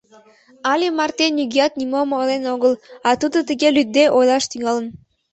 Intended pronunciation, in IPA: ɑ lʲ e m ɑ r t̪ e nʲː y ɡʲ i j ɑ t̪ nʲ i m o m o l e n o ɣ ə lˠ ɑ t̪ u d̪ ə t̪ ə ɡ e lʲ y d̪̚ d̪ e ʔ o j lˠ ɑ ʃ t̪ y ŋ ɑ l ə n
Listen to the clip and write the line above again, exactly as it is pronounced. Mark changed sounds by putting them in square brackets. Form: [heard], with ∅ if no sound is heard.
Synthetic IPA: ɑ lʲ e m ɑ r t̪ e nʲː y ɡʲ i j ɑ t̪ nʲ i m o m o l e n o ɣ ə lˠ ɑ t̪ u d̪ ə t̪ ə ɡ e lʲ y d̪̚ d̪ e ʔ o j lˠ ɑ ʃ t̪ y ŋ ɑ l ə n